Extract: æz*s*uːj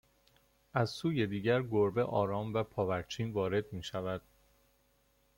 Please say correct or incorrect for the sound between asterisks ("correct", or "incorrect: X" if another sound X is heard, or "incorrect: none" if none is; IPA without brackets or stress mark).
correct